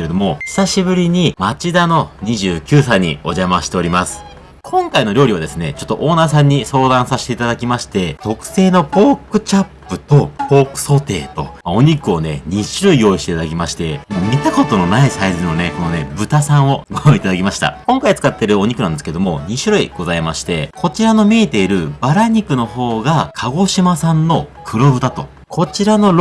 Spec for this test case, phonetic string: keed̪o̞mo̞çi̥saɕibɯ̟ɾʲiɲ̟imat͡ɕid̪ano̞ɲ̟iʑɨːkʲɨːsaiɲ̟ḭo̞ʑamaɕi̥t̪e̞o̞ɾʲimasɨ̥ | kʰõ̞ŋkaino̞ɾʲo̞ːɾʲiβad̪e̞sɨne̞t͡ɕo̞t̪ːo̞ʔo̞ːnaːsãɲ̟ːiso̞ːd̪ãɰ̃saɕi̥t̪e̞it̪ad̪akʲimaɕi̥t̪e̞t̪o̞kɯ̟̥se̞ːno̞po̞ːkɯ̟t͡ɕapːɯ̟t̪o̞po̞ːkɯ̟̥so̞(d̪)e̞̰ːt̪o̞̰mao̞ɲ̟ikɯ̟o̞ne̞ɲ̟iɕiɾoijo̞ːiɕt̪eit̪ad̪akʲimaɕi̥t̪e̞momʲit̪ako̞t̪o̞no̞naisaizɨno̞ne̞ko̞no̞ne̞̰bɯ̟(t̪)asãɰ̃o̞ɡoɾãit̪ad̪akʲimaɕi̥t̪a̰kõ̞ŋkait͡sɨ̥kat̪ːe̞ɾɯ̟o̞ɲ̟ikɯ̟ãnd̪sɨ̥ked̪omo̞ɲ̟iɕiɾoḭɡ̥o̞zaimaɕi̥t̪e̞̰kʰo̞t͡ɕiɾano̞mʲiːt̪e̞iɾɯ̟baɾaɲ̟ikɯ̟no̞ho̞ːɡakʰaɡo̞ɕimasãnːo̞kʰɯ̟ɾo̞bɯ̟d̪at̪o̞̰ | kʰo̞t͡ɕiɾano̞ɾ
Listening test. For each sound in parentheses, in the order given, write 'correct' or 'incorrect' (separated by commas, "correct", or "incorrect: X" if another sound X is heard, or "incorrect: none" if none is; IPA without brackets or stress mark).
incorrect: t̪, correct